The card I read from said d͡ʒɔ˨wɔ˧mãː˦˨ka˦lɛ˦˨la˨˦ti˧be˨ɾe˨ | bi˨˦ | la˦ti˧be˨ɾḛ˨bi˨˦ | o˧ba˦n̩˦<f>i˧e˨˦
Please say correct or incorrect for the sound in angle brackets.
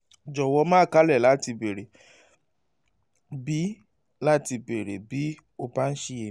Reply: incorrect: ʃ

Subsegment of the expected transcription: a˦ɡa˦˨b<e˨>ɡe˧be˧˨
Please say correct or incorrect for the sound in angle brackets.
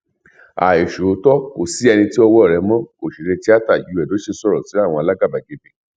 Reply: incorrect: a˨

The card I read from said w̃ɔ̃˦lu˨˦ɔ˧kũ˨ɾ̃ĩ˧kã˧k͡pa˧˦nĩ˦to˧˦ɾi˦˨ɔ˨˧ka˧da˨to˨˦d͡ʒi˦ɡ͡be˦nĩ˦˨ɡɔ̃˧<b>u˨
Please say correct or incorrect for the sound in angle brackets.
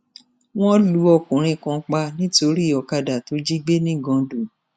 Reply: incorrect: d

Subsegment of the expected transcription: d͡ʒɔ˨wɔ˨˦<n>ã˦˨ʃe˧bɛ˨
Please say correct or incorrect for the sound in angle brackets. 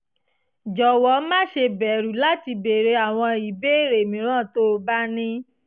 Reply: incorrect: m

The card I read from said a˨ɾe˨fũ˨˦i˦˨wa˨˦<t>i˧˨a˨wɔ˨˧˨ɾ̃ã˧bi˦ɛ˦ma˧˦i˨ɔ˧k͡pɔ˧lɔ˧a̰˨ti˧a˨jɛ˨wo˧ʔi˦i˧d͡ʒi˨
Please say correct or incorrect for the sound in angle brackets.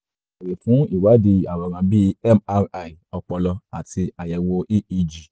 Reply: incorrect: d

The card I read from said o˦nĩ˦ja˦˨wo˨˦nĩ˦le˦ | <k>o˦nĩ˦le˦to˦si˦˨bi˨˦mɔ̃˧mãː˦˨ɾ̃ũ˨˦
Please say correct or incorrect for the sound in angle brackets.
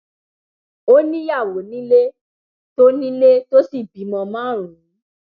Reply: incorrect: t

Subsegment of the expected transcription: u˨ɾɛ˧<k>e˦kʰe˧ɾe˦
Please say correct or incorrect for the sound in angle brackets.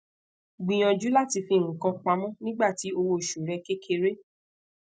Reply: correct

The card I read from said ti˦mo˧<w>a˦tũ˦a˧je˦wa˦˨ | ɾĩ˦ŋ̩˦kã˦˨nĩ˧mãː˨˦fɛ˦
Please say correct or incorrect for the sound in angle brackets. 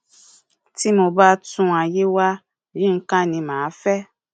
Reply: incorrect: b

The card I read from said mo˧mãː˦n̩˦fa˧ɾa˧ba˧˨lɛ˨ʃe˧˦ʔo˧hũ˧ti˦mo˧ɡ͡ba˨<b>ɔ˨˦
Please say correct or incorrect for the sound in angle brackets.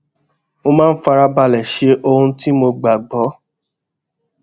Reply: incorrect: ɡ͡b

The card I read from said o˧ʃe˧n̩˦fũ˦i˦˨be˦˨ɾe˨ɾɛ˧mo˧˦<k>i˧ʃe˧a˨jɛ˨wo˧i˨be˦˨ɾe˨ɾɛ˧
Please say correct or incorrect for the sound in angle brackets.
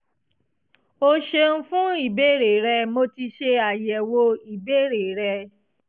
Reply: incorrect: t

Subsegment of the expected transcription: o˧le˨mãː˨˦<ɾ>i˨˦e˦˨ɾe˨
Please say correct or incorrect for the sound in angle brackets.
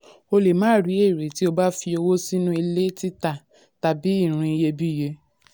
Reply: correct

